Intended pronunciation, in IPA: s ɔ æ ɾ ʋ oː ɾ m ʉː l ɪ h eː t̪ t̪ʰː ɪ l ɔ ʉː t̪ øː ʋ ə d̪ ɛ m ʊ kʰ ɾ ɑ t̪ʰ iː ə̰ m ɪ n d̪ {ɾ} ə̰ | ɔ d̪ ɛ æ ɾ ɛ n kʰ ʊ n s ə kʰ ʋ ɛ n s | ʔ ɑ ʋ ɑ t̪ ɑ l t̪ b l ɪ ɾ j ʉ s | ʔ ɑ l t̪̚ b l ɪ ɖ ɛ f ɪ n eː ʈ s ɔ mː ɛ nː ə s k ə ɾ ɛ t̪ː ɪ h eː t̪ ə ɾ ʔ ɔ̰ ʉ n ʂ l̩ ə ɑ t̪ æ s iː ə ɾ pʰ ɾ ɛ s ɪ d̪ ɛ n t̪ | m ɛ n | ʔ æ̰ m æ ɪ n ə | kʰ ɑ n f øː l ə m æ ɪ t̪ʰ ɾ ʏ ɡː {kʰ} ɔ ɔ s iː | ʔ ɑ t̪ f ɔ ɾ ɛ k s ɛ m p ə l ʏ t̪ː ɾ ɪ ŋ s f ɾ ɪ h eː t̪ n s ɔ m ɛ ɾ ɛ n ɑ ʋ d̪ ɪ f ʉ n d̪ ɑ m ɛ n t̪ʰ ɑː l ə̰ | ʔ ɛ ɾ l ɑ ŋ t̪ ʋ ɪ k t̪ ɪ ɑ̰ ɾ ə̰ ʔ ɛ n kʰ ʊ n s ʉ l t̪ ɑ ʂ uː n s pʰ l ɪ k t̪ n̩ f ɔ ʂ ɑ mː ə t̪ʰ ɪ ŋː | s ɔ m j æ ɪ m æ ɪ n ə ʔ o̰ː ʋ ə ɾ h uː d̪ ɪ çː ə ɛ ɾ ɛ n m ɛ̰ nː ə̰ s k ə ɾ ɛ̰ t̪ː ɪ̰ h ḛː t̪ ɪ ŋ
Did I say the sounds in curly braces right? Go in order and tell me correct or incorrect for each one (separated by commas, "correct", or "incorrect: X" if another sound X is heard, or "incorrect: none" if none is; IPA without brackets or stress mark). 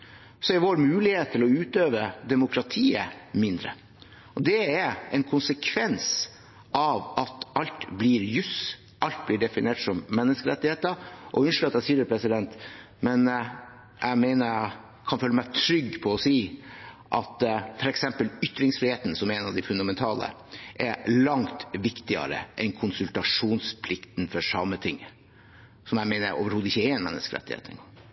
correct, incorrect: pʰ